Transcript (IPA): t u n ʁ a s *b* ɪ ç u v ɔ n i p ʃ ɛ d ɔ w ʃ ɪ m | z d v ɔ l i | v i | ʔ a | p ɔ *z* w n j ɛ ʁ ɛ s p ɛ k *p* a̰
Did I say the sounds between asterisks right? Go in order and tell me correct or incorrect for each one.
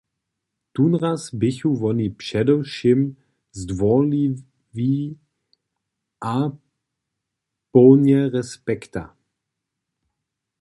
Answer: correct, incorrect, incorrect

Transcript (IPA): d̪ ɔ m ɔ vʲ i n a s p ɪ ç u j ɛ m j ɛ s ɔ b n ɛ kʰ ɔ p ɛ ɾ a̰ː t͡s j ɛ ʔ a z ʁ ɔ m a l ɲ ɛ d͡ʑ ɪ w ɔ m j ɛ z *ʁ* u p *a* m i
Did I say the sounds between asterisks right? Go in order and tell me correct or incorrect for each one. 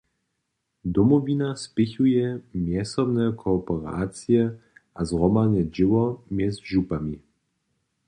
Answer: incorrect, correct

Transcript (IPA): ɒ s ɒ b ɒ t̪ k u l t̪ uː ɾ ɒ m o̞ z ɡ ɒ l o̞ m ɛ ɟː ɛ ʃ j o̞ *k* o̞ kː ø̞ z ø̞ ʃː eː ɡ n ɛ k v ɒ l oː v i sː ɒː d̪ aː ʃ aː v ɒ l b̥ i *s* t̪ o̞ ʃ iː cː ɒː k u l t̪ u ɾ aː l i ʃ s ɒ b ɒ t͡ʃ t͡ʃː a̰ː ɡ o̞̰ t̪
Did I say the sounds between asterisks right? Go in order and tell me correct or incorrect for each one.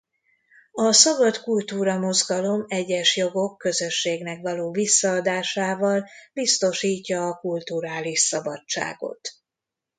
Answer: incorrect, correct

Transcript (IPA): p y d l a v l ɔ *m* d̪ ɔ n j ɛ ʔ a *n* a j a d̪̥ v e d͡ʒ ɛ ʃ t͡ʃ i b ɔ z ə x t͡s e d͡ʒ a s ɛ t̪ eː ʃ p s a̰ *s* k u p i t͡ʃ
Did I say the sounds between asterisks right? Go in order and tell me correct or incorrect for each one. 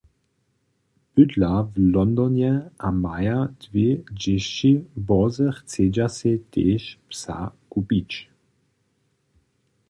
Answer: incorrect, incorrect, incorrect

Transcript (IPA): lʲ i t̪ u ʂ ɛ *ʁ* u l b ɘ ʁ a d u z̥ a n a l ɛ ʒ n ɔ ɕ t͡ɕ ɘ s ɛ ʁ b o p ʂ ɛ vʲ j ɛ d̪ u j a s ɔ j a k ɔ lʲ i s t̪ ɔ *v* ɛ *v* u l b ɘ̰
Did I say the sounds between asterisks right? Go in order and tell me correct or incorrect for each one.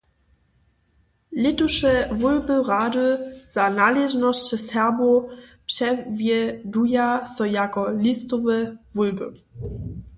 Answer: incorrect, correct, correct

